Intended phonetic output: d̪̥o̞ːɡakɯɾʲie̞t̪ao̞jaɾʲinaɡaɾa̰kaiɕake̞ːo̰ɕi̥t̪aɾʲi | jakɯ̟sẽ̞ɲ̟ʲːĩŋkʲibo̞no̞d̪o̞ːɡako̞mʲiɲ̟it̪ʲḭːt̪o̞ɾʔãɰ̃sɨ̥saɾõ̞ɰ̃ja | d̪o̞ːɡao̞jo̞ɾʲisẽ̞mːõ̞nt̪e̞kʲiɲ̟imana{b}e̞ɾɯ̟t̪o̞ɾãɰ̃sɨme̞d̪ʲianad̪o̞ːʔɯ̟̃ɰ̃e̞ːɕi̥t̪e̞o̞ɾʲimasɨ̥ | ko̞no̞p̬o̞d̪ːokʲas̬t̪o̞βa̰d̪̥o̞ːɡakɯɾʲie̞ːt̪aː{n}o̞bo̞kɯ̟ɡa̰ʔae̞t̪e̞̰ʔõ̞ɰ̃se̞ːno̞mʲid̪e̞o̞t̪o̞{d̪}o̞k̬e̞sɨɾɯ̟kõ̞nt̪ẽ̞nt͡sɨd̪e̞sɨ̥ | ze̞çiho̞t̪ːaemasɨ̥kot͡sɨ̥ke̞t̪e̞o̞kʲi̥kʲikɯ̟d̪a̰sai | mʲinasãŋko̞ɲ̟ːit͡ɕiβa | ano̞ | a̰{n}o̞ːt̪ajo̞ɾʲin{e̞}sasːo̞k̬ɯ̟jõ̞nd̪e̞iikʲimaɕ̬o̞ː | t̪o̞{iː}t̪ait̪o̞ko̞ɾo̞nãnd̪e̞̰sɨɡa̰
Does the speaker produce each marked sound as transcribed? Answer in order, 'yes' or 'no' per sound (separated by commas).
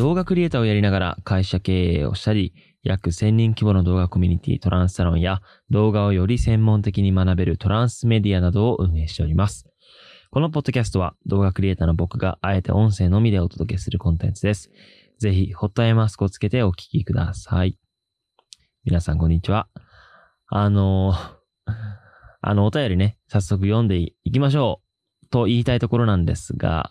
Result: yes, yes, yes, yes, yes, yes